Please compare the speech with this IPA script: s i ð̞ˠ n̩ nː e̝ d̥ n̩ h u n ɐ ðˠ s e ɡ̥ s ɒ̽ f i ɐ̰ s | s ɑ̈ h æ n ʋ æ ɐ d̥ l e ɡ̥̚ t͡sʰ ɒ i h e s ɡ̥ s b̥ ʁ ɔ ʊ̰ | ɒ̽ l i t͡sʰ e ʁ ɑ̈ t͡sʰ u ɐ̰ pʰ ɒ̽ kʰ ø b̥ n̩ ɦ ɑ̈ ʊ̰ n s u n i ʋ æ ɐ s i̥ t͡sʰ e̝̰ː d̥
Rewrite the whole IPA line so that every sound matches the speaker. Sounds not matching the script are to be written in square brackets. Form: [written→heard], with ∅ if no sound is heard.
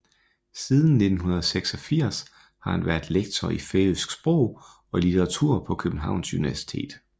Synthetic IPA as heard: s i ð̞ˠ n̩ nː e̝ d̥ n̩ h u n ɐ ðˠ s e ɡ̥ s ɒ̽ f i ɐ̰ s | [s→h] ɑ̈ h æ n ʋ æ ɐ d̥ l e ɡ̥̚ t͡sʰ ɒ i [h→f] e s ɡ̥ s b̥ ʁ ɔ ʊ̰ | ɒ̽ l i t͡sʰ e ʁ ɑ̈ t͡sʰ u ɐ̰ pʰ ɒ̽ kʰ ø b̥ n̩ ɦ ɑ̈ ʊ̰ n s u n i ʋ æ ɐ s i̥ t͡sʰ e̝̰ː d̥